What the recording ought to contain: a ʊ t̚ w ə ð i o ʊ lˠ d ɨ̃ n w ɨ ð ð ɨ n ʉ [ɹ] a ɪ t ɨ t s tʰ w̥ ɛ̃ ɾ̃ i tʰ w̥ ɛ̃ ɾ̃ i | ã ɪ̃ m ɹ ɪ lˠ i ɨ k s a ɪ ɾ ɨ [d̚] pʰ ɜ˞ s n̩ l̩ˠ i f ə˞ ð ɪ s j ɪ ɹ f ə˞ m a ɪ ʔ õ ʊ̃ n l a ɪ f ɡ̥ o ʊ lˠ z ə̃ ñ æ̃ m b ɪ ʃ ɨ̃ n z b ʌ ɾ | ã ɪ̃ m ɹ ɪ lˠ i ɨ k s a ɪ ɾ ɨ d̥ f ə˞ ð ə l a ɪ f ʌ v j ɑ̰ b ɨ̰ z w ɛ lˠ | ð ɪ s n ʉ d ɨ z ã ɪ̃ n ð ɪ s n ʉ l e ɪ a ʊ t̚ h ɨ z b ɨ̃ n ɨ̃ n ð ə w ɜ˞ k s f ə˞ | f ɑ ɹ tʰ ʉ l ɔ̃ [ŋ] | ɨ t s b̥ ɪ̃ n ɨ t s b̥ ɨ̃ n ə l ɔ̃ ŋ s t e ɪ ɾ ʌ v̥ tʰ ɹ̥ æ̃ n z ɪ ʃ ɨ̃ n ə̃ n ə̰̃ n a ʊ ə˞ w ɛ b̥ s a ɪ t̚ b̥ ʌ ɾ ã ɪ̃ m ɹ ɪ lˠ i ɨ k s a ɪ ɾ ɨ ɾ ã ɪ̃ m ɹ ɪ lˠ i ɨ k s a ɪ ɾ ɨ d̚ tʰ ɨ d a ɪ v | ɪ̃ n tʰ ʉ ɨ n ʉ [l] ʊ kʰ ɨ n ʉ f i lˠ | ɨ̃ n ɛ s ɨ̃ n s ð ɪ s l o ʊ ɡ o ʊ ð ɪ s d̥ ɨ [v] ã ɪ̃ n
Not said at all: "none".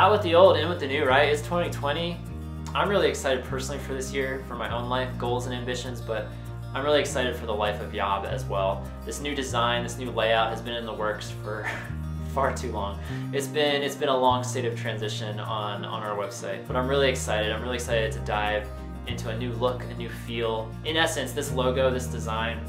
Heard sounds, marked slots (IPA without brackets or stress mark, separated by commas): ɹ, d̚, ŋ, l, z